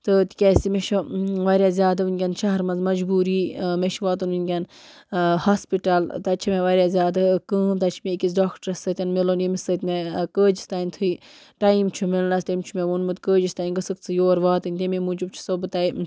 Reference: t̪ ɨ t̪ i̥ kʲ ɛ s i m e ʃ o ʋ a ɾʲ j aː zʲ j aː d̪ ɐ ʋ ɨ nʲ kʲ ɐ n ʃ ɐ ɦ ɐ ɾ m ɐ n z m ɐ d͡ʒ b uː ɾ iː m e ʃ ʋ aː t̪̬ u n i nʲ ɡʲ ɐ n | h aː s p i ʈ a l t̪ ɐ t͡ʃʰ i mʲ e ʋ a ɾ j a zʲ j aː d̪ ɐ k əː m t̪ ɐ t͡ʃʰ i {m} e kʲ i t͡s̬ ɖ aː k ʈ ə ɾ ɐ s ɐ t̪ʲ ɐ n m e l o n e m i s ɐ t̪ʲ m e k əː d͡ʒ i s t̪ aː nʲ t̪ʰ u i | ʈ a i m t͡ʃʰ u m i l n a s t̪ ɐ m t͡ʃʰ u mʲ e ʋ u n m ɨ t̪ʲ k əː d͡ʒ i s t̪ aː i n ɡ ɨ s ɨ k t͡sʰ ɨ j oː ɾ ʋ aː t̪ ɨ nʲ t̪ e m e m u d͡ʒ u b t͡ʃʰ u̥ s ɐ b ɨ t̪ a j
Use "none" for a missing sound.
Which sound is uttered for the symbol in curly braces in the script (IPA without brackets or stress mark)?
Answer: m